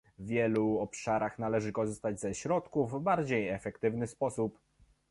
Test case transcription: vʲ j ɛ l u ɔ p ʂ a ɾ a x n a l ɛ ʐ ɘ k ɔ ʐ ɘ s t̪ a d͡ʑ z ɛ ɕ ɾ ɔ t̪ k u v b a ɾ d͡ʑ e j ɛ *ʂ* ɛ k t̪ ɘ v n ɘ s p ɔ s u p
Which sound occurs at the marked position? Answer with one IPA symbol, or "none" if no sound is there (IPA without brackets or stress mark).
f